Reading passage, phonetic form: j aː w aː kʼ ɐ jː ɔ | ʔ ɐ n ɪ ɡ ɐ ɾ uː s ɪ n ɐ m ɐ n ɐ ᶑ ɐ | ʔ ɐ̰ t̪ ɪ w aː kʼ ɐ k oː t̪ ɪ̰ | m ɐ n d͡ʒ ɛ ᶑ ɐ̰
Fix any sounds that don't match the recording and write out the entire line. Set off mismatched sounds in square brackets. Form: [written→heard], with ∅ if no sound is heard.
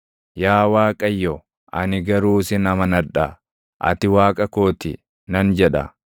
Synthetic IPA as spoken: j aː w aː kʼ ɐ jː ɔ | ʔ ɐ n ɪ ɡ ɐ ɾ uː s ɪ n ɐ m ɐ n ɐ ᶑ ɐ | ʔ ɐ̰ t̪ ɪ w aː kʼ ɐ k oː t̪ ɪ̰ | [m→n] ɐ n d͡ʒ ɛ ᶑ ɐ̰